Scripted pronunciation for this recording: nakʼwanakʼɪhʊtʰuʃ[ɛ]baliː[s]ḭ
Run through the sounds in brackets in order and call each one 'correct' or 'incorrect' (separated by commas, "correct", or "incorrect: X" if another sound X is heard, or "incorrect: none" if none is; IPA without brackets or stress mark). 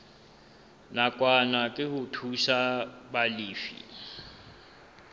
incorrect: a, incorrect: f